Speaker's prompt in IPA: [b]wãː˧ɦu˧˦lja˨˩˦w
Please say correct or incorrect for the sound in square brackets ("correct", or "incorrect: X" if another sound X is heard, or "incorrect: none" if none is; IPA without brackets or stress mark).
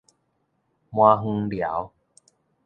incorrect: m